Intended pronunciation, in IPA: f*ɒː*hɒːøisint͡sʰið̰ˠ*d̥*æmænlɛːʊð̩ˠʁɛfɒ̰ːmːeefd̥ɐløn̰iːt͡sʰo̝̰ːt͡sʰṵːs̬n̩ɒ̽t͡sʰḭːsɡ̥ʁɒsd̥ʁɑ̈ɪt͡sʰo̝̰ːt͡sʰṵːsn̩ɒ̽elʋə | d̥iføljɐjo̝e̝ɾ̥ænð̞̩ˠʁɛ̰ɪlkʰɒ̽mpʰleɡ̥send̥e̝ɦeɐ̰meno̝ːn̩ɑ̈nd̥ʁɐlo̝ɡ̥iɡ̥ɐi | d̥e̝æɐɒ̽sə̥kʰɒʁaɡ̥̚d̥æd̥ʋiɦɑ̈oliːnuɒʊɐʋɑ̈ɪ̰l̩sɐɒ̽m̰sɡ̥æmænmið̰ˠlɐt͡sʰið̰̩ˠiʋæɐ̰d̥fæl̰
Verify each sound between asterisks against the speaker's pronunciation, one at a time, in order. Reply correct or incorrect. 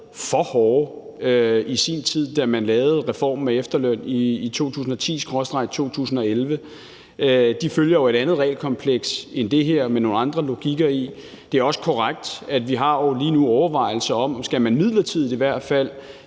incorrect: ɒ, correct

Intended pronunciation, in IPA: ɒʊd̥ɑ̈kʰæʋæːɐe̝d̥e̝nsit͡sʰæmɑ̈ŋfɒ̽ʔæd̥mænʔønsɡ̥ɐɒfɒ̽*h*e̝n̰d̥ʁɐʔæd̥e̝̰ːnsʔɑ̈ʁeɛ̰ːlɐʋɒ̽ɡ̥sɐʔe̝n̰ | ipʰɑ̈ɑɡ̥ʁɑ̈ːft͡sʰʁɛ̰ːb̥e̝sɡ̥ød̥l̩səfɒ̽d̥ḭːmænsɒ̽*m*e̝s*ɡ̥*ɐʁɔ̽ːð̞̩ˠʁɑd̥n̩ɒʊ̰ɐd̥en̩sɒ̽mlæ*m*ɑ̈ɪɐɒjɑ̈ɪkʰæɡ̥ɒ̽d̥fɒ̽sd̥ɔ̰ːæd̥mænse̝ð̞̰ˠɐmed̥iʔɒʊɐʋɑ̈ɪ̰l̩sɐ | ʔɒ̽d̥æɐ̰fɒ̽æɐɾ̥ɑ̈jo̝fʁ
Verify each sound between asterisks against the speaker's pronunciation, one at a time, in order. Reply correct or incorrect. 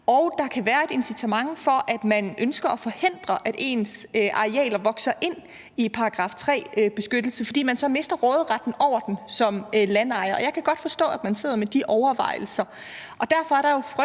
correct, correct, incorrect: d̥, incorrect: n

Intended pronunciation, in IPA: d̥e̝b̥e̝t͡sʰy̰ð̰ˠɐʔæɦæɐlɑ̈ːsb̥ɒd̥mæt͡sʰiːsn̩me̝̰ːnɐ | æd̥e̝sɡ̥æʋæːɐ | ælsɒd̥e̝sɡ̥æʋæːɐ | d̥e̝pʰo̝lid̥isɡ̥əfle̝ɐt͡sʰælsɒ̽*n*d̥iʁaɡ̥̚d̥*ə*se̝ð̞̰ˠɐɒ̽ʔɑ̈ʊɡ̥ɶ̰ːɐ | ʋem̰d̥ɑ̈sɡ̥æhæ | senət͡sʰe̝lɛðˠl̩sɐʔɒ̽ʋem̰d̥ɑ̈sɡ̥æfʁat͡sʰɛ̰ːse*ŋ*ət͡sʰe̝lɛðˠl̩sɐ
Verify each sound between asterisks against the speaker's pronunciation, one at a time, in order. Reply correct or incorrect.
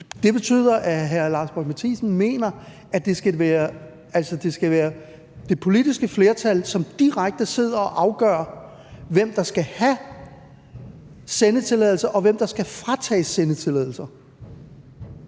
incorrect: m, correct, incorrect: n

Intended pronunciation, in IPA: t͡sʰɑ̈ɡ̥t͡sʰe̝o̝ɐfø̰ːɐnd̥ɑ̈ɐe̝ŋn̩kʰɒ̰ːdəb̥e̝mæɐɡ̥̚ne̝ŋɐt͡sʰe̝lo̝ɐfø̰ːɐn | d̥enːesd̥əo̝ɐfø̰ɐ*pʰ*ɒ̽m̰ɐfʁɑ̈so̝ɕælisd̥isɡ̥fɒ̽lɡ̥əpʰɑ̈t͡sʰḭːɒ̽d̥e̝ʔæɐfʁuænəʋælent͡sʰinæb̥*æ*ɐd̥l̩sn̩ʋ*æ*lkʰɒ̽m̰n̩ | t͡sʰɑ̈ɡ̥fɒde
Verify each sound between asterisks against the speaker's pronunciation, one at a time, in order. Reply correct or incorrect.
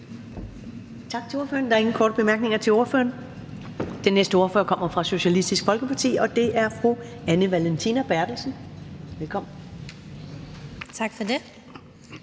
incorrect: kʰ, correct, incorrect: e

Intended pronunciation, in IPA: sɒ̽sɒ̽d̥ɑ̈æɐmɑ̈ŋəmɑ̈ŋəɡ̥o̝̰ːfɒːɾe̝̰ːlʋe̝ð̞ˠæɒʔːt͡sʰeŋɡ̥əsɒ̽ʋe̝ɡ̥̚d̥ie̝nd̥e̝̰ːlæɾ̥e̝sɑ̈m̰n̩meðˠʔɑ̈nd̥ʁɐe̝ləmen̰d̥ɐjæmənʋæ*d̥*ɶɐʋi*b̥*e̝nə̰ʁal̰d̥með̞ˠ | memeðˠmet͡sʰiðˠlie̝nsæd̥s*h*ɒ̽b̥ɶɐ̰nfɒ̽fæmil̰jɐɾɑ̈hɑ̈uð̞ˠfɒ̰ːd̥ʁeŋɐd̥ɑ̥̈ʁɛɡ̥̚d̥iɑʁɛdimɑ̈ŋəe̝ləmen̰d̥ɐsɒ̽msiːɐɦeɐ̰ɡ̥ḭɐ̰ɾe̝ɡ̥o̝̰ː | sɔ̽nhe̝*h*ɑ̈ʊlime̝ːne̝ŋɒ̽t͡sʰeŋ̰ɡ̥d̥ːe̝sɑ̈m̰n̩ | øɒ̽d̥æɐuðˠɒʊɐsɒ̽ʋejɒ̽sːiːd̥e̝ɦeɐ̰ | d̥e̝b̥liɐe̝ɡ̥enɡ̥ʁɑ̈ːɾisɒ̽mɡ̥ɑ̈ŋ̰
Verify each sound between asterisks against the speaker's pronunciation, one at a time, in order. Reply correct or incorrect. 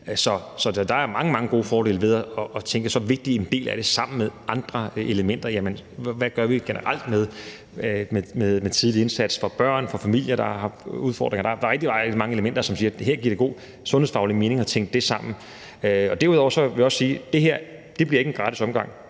incorrect: ɡ̥, incorrect: ɡ̥, incorrect: f, incorrect: f

